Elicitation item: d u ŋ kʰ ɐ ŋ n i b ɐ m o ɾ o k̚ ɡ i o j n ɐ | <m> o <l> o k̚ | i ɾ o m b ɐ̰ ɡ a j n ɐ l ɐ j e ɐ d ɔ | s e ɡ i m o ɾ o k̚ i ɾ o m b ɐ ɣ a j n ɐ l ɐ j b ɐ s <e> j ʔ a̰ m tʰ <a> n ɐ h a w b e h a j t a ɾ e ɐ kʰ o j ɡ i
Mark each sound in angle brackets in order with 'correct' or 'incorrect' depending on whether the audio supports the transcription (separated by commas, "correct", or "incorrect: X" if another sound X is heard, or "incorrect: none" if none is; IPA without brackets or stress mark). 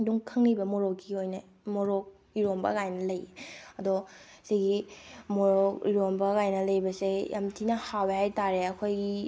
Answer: correct, incorrect: ɾ, correct, incorrect: i